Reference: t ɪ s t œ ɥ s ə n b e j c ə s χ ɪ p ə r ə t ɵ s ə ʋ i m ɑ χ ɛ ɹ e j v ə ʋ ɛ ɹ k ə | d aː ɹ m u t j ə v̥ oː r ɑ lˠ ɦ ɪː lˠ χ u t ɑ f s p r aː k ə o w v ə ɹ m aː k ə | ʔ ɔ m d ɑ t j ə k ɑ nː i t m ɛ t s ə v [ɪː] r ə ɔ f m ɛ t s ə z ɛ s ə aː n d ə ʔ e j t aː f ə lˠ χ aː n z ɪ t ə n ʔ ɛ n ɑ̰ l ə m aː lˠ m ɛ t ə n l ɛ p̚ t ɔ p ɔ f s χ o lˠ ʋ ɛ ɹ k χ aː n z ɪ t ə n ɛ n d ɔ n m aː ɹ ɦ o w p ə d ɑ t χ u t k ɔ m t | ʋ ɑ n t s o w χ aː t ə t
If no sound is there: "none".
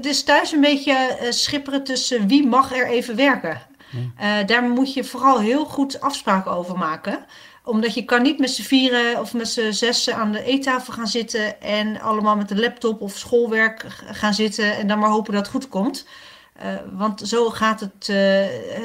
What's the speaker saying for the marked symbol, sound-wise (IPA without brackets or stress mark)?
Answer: iː